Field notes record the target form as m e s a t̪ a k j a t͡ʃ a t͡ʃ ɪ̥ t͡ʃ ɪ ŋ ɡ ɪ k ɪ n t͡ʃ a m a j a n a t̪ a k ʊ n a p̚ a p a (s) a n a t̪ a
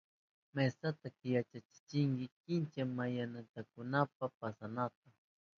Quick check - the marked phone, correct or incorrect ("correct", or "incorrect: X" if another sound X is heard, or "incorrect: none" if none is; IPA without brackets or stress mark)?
correct